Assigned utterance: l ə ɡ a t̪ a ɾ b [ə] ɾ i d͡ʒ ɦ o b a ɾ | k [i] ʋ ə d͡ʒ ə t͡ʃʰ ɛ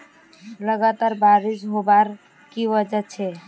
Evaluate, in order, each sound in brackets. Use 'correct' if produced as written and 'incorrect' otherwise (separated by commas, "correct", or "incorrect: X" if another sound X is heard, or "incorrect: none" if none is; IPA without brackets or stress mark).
incorrect: a, correct